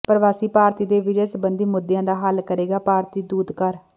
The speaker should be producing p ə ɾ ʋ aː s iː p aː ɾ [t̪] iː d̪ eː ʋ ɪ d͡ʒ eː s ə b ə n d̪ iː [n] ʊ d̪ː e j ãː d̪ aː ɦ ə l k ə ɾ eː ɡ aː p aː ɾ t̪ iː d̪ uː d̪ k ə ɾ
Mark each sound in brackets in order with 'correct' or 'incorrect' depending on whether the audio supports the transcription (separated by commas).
correct, incorrect